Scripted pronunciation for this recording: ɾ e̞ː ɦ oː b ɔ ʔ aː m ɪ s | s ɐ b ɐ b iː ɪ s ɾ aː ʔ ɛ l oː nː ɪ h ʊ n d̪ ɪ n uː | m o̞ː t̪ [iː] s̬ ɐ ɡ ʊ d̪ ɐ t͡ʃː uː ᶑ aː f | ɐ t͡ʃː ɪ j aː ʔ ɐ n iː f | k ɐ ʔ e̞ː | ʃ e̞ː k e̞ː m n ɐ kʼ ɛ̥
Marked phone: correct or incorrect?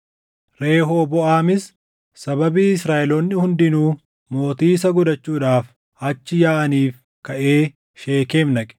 correct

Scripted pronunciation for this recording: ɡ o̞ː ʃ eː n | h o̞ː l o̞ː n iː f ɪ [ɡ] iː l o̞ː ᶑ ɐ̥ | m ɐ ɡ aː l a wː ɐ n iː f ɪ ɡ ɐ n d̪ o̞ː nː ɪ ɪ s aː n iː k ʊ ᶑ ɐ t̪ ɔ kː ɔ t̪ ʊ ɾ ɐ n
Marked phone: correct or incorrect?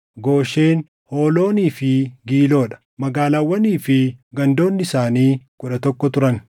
correct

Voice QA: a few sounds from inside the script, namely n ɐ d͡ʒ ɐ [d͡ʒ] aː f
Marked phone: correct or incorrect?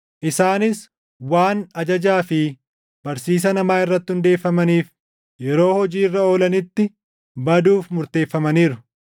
correct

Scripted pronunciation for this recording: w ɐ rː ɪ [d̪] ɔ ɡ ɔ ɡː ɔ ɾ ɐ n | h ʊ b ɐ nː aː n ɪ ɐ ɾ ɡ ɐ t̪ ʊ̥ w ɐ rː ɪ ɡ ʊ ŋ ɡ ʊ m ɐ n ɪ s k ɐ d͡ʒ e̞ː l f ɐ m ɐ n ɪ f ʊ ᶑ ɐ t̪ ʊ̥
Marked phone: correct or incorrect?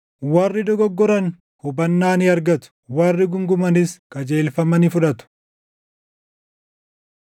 correct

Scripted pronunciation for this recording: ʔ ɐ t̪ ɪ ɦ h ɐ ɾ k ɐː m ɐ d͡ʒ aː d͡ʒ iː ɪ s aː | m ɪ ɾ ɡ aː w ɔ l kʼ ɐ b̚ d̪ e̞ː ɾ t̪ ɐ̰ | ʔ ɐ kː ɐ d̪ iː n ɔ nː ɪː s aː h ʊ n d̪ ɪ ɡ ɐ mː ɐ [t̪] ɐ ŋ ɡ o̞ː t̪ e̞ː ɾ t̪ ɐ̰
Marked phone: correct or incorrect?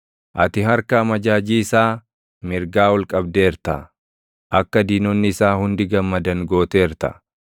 incorrect: d̪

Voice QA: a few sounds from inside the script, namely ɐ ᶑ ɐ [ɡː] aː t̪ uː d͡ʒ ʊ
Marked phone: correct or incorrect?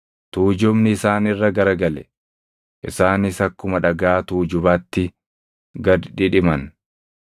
incorrect: ɡ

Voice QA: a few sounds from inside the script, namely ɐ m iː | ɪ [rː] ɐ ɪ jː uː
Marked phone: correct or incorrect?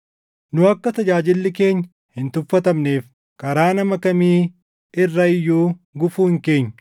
correct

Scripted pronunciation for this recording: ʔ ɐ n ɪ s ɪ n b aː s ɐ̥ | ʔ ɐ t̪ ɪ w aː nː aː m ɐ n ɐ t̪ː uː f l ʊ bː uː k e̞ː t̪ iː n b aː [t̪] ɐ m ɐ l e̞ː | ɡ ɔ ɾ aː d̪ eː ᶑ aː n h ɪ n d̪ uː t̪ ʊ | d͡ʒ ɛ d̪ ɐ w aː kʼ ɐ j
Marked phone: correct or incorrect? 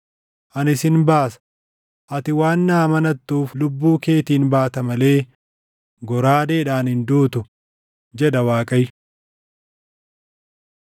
correct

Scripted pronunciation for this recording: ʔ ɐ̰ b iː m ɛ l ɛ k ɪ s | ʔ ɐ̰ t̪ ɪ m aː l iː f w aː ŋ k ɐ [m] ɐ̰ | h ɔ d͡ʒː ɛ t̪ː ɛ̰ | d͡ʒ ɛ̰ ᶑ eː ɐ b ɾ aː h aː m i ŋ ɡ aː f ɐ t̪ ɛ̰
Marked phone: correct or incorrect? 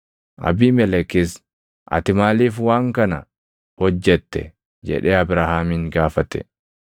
incorrect: n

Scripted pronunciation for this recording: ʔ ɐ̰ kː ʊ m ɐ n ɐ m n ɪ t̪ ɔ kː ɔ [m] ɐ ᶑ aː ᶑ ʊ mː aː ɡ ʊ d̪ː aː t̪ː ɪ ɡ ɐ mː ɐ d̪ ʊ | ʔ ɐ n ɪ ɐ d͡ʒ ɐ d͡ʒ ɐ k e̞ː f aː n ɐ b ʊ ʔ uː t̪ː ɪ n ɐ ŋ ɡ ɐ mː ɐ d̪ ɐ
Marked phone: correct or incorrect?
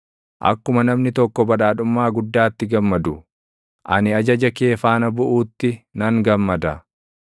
incorrect: b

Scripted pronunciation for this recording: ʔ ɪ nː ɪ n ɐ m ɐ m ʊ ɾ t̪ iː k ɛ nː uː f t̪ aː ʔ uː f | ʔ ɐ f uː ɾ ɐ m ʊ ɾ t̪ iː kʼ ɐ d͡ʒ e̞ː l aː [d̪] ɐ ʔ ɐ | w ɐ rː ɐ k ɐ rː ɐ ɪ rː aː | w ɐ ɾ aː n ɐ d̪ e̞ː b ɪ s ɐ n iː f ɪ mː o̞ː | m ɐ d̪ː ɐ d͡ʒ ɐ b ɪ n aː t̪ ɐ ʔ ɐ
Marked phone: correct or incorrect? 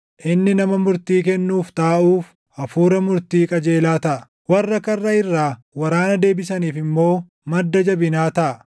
incorrect: t̪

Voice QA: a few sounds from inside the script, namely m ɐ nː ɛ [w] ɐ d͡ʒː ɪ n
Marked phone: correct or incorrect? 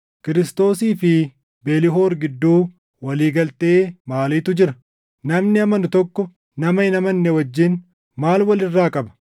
correct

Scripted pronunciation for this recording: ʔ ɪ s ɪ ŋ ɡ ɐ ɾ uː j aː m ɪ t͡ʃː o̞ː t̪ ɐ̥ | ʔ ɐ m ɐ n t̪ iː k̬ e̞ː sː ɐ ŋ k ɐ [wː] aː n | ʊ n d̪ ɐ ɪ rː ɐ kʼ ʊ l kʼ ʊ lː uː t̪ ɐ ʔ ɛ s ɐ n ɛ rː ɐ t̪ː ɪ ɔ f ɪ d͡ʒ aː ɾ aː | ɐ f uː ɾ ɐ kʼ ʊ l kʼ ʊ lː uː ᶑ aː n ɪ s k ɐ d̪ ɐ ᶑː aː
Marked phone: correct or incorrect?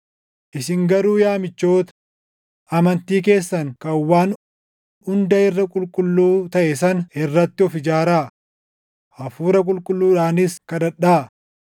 correct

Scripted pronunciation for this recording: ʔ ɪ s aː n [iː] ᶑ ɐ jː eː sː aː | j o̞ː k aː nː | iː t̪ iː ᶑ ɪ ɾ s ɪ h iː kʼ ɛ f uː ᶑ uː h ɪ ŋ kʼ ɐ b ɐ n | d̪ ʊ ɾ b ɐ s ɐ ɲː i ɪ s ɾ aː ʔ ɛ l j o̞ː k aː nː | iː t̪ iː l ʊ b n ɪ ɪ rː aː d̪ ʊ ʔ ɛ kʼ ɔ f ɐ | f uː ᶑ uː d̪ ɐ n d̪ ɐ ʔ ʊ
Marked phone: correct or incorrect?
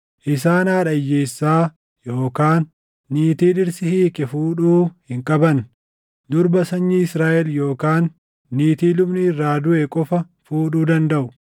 incorrect: aː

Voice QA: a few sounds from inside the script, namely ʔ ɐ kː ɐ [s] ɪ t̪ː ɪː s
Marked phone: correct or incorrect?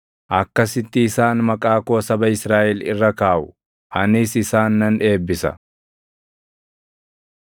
correct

